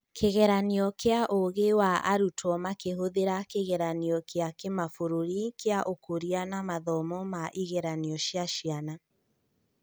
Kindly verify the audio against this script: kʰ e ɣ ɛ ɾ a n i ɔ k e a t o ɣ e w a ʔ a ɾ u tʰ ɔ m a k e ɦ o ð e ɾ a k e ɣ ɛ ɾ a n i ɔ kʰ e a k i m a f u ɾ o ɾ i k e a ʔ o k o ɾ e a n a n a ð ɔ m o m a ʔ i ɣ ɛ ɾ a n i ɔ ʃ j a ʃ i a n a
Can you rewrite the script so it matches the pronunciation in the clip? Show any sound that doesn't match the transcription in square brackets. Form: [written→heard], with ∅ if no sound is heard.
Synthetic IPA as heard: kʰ e ɣ ɛ ɾ a n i ɔ k e a [t→ʔ] o ɣ e w a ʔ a ɾ u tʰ ɔ m a k e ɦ o ð e ɾ a k e ɣ ɛ ɾ a n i ɔ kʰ e a k [i→e] m a f [u→o] ɾ o ɾ i k e a ʔ o k o ɾ [e→i] a n a [n→m] a ð ɔ m [o→ɔ] m a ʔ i ɣ ɛ ɾ a n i ɔ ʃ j a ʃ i a n a